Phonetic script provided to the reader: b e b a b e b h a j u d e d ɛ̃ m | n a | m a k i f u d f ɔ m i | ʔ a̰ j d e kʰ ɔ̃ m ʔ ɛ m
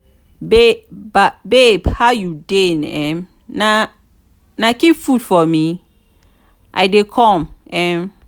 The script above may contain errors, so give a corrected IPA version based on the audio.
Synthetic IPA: b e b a b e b h a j u d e n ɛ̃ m | n a | n a k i f u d f ɔ m i | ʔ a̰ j d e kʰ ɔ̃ m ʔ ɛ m